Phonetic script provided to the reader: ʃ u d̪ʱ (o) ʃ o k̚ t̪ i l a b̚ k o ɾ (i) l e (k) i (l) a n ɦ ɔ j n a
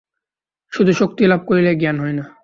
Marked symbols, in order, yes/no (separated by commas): no, yes, no, no